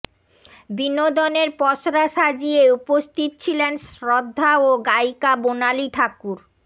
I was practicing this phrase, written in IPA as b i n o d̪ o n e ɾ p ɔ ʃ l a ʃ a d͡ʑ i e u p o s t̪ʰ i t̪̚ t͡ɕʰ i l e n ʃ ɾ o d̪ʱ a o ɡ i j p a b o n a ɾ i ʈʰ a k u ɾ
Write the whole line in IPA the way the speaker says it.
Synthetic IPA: b i n o d̪ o n e ɾ p ɔ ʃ ɾ a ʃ a d͡ʑ i e u p o s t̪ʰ i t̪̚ t͡ɕʰ i l e n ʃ ɾ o d̪ʱː a o ɡ a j k a b o n a l i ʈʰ a k u ɾ